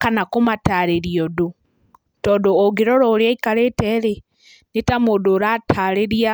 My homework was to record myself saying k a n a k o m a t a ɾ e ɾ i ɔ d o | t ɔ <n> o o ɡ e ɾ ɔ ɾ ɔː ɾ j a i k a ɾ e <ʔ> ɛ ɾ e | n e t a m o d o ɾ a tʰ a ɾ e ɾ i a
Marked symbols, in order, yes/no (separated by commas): no, no